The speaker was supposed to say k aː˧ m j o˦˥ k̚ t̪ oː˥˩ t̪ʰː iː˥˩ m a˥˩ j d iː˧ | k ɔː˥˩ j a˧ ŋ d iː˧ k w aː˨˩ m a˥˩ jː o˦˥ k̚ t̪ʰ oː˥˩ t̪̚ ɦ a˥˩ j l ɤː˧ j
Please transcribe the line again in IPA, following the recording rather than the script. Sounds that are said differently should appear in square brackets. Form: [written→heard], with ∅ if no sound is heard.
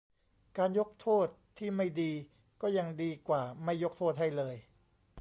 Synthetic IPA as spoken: k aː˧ [m→n] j o˦˥ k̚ [t̪→t̪ʰ] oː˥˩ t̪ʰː iː˥˩ m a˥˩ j d iː˧ | k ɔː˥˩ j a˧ ŋ d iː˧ k w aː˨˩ m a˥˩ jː o˦˥ k̚ t̪ʰ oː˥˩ t̪̚ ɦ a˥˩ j l ɤː˧ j

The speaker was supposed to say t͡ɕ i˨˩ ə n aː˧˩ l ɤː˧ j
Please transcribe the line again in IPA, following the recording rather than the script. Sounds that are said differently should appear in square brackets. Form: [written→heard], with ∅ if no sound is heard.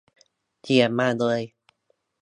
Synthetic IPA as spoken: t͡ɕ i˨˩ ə [n→m] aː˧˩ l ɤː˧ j

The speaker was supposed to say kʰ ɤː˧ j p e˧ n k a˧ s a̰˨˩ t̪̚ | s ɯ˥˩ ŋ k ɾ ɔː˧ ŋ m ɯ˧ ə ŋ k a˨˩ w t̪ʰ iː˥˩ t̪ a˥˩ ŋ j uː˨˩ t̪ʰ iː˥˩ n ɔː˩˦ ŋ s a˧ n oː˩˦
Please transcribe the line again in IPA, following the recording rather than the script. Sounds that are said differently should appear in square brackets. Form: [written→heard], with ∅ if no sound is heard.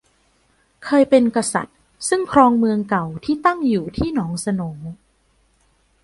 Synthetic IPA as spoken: kʰ ɤː˧ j p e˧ n k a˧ s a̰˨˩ t̪̚ | s ɯ˥˩ ŋ [k→kʰ] ɾ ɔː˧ ŋ m ɯ˧ ə ŋ k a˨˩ w t̪ʰ iː˥˩ t̪ a˥˩ ŋ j uː˨˩ t̪ʰ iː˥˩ n ɔː˩˦ ŋ s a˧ n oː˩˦

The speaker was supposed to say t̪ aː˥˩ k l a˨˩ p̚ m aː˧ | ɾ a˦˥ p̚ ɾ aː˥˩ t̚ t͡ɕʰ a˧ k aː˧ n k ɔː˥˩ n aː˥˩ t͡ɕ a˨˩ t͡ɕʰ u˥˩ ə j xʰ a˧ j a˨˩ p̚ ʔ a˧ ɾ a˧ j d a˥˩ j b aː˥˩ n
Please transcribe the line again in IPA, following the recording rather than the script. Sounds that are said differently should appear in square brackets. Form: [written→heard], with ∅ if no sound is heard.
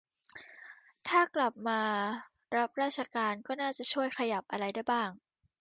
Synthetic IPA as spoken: [t̪→t̪ʰ] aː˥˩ k l a˨˩ p̚ m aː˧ | ɾ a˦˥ p̚ ɾ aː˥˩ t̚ t͡ɕʰ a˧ k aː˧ n k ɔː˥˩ n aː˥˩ t͡ɕ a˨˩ t͡ɕʰ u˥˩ ə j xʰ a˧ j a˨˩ p̚ ʔ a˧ ɾ a˧ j d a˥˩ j b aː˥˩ [n→ŋ]

